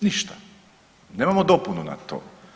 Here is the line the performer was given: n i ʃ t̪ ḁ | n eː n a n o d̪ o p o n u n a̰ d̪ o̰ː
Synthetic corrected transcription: n i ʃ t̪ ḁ | n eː m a m o d̪ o p u n u n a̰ t̪ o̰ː